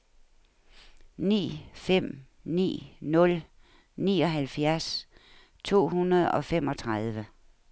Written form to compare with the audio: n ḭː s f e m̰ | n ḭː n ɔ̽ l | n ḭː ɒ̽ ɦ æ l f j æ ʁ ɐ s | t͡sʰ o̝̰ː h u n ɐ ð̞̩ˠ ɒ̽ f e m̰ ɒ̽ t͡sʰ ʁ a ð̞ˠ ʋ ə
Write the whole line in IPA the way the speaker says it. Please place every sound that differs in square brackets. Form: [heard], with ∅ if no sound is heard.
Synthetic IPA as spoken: n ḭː [∅] f e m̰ | n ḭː n ɔ̽ l | n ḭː ɒ̽ ɦ æ l f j æ [∅] ɐ s | t͡sʰ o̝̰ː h u n ɐ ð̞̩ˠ ɒ̽ f e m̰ ɒ̽ t͡sʰ ʁ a ð̞ˠ ʋ ə